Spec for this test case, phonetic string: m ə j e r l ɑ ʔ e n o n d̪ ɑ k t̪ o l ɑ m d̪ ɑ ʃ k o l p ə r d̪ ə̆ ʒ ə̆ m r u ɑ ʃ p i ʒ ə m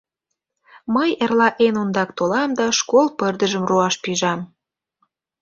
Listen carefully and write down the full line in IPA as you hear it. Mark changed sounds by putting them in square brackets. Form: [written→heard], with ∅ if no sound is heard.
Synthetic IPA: m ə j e r l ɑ ʔ e n o n d̪ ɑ k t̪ o l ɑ m d̪ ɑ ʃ k o l p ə r d̪ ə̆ ʒ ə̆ m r u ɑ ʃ p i ʒ [ə→ɑ] m